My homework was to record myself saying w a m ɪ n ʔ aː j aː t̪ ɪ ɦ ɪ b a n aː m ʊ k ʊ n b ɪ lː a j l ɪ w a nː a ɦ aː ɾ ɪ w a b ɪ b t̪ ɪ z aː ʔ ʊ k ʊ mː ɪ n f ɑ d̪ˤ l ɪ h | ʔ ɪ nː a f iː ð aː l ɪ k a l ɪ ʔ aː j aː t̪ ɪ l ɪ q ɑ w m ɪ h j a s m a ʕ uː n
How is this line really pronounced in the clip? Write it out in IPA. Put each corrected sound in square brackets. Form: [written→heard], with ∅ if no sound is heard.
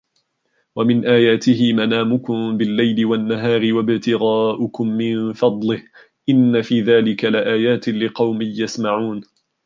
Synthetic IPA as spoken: w a m ɪ n ʔ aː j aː t̪ ɪ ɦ ɪ [b→m] a n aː m ʊ k ʊ [n→m] b ɪ lː a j l ɪ w a nː a ɦ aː ɾ ɪ w a b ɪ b t̪ ɪ [z→ɣ] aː ʔ ʊ k ʊ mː ɪ n f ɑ d̪ˤ l ɪ h | ʔ ɪ nː a f iː ð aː l ɪ k a l ɪ ʔ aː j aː t̪ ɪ l ɪ q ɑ w m ɪ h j a s m a ʕ uː n